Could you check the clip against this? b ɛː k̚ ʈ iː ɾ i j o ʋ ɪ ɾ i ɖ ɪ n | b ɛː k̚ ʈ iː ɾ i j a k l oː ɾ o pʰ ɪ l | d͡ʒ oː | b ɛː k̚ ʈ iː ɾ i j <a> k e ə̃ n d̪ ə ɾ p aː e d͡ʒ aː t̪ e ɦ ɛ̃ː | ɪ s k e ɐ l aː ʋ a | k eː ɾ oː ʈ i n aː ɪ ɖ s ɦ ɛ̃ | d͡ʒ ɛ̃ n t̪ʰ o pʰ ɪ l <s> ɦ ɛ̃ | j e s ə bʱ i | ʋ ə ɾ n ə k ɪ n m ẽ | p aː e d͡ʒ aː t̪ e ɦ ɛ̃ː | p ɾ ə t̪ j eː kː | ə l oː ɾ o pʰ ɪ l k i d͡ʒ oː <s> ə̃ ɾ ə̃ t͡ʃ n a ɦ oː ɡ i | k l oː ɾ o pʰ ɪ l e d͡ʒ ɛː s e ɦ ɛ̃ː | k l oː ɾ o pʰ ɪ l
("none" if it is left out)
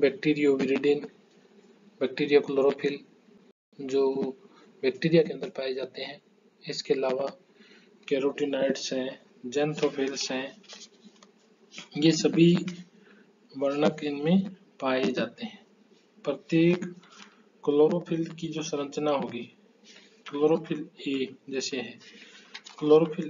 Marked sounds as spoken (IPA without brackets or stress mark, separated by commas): a, s, s